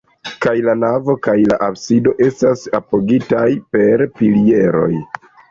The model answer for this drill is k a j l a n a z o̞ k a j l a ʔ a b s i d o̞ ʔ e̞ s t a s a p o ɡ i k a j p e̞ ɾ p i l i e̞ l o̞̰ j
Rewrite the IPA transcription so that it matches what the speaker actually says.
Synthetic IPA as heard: k a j l a n a v o̞ k a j l a ʔ a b s i d o̞ ʔ e̞ s t a s a p o ɡ i t a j p e̞ ɾ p i l i e̞ ɾ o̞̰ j